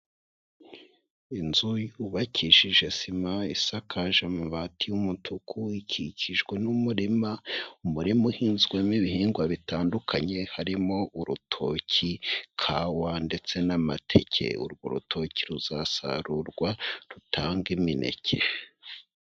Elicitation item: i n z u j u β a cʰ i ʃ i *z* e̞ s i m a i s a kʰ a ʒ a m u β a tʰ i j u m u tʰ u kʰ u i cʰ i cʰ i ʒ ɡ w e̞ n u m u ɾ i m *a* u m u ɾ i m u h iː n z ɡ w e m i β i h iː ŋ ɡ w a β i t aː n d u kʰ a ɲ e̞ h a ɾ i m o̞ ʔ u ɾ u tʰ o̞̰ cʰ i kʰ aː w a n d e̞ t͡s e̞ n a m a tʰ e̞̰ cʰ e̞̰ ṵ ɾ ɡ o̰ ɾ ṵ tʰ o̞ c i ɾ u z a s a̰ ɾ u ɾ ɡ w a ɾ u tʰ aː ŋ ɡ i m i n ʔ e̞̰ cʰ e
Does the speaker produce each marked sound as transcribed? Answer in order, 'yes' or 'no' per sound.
no, yes

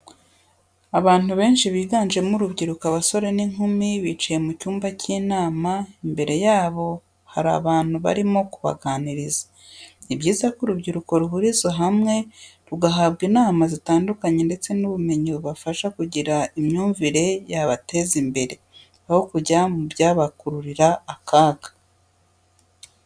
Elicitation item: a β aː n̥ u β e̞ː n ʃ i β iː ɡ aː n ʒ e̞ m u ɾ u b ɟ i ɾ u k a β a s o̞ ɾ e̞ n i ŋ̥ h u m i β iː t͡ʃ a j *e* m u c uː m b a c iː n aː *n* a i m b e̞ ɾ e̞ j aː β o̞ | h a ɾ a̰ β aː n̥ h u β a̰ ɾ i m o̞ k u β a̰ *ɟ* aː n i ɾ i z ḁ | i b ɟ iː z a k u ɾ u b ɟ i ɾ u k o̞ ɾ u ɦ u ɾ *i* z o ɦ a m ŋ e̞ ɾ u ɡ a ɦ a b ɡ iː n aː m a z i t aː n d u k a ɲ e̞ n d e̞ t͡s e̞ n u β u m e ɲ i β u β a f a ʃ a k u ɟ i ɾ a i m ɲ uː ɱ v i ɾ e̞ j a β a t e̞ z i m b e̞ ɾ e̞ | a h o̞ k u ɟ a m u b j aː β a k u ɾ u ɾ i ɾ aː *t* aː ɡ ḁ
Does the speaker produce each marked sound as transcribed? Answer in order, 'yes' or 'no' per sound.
yes, no, no, yes, no

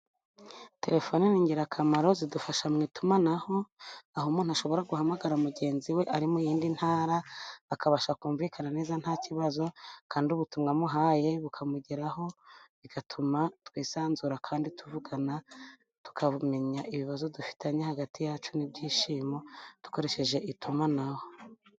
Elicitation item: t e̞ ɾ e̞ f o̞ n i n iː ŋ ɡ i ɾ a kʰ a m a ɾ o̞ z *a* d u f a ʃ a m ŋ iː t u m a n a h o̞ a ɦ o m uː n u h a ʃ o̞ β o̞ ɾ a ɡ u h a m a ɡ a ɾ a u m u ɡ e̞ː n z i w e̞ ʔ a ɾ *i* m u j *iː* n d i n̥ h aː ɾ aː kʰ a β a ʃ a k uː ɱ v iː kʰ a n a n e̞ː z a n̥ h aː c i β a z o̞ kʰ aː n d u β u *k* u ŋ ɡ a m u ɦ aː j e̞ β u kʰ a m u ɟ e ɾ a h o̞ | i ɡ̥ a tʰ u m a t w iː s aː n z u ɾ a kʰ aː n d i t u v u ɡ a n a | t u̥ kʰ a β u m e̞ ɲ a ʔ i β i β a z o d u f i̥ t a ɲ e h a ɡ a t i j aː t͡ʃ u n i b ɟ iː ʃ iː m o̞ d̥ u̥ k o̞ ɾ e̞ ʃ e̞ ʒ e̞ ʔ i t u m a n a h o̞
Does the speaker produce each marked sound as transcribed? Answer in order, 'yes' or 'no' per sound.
no, yes, yes, no

